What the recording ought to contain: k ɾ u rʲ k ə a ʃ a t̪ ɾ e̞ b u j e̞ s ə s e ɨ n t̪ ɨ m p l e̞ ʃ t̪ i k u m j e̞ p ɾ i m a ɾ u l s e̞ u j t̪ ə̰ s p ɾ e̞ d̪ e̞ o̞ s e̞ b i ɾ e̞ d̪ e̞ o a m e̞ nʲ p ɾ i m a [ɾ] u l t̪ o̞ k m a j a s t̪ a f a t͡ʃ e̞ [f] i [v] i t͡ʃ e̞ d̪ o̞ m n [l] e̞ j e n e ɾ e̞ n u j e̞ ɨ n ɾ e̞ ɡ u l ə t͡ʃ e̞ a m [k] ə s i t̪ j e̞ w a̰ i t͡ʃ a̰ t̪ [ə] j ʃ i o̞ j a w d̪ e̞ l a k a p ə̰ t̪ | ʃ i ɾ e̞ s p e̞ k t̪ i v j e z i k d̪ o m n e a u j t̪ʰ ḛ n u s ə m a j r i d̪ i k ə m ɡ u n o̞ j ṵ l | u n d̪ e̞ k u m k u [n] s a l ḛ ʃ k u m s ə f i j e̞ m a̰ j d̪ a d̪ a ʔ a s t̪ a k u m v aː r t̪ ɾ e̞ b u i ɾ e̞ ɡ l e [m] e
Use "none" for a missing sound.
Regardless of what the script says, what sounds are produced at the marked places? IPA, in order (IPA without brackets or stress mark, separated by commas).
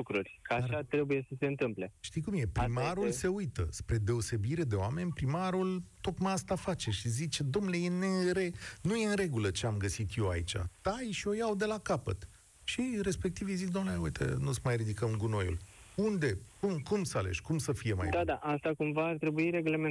ɾ, ʃ, z, l, ɡ, a, m, m